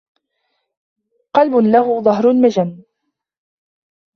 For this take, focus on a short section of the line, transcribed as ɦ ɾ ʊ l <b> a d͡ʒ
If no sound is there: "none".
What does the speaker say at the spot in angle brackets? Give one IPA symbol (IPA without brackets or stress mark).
m